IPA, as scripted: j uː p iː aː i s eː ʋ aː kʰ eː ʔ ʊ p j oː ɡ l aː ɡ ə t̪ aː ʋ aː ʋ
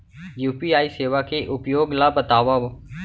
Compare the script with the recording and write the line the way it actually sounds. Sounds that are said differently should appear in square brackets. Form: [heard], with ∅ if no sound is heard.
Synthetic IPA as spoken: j uː p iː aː i s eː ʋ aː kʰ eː ʔ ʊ p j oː ɡ l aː [b] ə t̪ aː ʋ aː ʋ